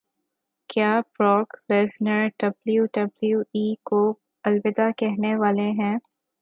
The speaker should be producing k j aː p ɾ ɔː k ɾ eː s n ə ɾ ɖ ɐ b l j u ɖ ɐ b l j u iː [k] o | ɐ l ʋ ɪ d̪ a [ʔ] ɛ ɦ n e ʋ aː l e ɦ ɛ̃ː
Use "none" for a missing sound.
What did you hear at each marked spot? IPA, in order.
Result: k, k

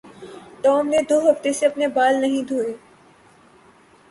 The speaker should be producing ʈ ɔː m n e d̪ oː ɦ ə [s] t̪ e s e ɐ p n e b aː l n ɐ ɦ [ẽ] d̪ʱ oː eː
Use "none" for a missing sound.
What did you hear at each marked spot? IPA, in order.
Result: f, ĩ

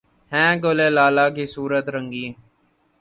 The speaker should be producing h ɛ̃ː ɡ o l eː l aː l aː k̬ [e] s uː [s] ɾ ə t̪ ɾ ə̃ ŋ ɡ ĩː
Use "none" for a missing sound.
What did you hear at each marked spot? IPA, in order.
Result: i, none

